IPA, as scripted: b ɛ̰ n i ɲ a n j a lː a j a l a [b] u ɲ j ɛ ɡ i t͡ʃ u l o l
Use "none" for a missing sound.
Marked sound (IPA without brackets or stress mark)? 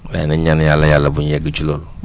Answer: b